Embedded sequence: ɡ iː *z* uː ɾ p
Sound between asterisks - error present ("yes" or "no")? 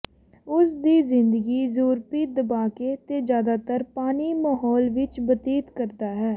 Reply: no